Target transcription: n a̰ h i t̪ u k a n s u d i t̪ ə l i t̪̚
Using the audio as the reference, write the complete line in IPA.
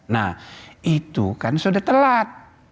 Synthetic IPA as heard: n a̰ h i t̪ u k a n s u d a t̪ ə l a t̪̚